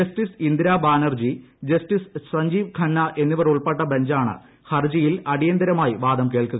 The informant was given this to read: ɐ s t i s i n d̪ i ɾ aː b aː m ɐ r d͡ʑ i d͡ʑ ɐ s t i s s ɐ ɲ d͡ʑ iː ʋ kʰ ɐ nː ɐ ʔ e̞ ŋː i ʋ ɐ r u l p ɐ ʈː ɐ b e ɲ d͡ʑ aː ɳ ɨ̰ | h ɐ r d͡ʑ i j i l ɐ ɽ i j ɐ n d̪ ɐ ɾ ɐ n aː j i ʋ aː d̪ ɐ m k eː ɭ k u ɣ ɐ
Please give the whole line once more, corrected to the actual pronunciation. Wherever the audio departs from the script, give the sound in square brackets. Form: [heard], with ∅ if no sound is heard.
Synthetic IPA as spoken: ɐ s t i s i n d̪ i ɾ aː b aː [n] ɐ r d͡ʑ i d͡ʑ ɐ s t i s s ɐ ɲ d͡ʑ iː ʋ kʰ ɐ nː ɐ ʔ e̞ [nː] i ʋ ɐ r u [ɭ] p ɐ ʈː ɐ b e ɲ d͡ʑ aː ɳ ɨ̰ | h ɐ r d͡ʑ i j i l ɐ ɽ i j ɐ n d̪ ɐ ɾ ɐ [m] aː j i ʋ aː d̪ ɐ m k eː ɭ k u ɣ ɐ